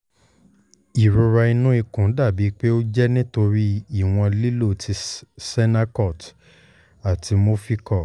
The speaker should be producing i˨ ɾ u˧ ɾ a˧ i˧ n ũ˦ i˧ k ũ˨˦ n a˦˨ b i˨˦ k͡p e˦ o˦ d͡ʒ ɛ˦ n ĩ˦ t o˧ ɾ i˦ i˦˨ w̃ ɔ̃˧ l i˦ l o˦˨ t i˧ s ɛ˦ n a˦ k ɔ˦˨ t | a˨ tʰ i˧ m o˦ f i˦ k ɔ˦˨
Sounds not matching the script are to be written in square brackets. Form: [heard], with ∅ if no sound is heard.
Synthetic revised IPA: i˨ ɾ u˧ ɾ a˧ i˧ n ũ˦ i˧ k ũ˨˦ [d] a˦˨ b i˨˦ k͡p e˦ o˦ d͡ʒ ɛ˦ n ĩ˦ t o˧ ɾ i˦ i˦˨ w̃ ɔ̃˧ l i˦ l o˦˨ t i˧ s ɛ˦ n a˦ k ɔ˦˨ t | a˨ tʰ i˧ m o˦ f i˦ k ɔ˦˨

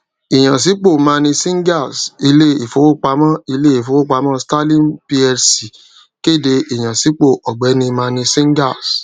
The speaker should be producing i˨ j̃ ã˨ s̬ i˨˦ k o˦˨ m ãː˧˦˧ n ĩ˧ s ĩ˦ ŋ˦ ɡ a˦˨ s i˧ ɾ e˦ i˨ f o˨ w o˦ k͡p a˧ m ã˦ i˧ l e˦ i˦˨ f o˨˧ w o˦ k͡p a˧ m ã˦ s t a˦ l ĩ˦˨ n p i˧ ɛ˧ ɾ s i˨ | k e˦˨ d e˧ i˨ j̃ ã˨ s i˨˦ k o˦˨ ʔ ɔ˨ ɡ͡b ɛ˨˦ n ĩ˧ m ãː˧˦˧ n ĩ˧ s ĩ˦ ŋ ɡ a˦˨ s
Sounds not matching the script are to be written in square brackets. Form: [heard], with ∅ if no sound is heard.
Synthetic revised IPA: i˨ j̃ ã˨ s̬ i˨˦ [k͡p] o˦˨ m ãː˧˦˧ n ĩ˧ s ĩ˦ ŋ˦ ɡ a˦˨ s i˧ [l] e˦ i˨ f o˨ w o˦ k͡p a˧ m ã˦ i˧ l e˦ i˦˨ f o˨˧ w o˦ k͡p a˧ m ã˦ s t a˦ l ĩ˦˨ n p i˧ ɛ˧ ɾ s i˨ | k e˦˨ d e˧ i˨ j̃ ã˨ s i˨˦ [k͡p] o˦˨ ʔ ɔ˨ ɡ͡b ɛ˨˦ n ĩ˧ m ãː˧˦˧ n ĩ˧ s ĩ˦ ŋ ɡ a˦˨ s

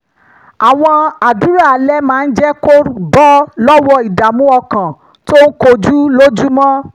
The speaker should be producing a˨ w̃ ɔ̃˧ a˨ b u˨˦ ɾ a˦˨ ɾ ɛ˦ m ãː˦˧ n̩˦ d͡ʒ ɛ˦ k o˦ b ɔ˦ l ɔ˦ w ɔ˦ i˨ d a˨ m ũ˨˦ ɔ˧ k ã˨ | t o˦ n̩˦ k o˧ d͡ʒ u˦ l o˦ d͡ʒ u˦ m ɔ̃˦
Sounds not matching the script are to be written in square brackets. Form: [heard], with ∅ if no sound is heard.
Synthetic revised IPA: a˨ w̃ ɔ̃˧ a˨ [d] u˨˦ ɾ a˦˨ [l] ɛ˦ m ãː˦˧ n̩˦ d͡ʒ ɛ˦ k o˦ b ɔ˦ l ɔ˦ w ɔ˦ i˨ d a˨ m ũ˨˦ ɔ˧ k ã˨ | t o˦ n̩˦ k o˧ d͡ʒ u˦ l o˦ d͡ʒ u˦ m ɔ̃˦

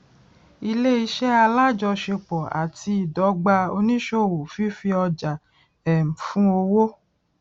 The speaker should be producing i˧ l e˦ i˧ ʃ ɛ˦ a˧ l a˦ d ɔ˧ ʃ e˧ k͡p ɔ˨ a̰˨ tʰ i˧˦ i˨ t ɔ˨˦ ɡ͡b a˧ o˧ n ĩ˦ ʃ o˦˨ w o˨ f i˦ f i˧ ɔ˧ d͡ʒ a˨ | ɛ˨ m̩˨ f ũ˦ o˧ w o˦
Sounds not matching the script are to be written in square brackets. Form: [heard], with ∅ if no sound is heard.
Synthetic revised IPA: i˧ l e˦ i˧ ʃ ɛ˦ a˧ l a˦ [d͡ʒ] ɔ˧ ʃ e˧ k͡p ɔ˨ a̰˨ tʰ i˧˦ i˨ [d] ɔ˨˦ ɡ͡b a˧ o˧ n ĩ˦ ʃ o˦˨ w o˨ f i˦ f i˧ ɔ˧ d͡ʒ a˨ | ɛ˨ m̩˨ f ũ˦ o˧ w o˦

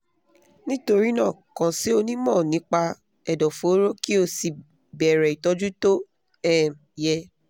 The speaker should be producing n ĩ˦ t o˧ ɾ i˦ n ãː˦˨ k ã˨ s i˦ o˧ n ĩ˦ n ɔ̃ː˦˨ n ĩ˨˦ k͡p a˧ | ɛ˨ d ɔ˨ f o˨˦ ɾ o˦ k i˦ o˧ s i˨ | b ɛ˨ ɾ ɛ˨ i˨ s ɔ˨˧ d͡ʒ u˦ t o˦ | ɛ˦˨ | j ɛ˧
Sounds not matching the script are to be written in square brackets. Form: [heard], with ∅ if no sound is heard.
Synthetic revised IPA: n ĩ˦ t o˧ ɾ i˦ n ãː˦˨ k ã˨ s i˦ o˧ n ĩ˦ [m] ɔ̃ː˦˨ n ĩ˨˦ k͡p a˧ | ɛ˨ d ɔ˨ f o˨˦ ɾ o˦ k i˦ o˧ s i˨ | b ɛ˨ ɾ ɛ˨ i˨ [t] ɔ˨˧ d͡ʒ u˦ t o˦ | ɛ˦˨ | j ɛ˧

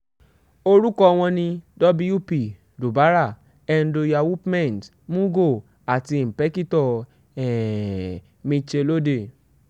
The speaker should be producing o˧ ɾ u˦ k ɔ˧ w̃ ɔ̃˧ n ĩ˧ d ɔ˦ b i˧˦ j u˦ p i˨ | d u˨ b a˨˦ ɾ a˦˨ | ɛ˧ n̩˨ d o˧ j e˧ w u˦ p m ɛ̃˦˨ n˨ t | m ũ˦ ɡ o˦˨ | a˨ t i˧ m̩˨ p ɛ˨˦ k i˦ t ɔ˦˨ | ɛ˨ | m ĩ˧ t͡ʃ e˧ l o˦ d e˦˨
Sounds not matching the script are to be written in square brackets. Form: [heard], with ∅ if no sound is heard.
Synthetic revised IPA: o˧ ɾ u˦ k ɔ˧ w̃ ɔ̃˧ n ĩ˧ d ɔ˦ b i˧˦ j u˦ p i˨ | d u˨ b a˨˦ ɾ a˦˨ | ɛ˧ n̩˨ d o˧ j [a˧] w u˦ p m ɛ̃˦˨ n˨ t | m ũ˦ ɡ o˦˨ | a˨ t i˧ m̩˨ p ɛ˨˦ k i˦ t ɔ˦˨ | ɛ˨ | m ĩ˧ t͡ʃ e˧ l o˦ d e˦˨

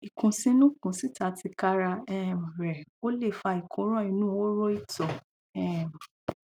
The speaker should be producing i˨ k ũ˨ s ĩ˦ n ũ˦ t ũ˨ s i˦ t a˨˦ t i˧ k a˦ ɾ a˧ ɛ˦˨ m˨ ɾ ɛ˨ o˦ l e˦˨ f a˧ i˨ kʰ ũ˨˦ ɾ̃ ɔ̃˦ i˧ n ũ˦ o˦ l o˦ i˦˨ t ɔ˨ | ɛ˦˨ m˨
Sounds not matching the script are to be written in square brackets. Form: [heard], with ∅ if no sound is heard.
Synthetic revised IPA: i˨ k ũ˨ s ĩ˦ n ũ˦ [k] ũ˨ s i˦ t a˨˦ t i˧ k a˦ ɾ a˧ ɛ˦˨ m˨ ɾ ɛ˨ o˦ l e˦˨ f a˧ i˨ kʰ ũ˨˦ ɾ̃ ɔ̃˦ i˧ n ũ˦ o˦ [ɾ] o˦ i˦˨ t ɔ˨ | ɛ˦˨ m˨

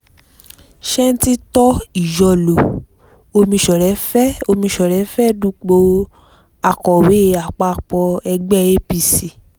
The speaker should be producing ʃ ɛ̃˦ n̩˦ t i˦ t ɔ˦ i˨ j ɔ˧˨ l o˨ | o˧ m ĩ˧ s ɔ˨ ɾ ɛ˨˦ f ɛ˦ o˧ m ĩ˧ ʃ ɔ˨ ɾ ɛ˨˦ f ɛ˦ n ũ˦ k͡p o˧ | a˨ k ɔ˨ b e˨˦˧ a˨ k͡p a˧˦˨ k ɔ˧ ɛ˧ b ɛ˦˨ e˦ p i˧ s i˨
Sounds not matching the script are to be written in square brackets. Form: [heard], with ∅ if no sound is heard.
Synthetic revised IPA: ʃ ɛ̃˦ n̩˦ t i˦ t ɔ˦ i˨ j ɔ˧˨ l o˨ | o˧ m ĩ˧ [ʃ] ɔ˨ ɾ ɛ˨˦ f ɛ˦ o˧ m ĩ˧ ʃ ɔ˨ ɾ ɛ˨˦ f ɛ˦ [d] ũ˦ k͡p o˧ | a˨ k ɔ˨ [w] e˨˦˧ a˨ k͡p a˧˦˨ [k͡p] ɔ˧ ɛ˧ [ɡ͡b] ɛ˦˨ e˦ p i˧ s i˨

